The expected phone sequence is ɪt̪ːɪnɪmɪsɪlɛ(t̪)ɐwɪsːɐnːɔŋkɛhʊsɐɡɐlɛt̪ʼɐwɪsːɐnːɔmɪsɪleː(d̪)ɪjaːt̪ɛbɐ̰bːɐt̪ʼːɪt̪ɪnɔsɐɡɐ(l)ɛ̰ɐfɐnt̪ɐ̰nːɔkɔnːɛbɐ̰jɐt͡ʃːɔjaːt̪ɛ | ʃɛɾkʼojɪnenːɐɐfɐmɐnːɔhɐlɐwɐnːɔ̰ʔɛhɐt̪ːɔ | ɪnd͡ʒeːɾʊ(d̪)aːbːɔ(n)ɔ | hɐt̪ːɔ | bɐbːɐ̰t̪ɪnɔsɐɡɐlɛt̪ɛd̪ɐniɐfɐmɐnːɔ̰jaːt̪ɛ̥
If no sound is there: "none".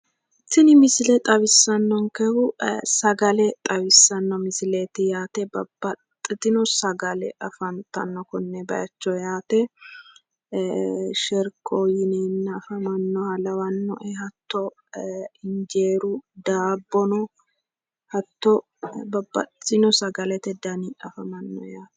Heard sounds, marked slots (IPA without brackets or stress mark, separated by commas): t̪ʼ, t̪, l, d̪, n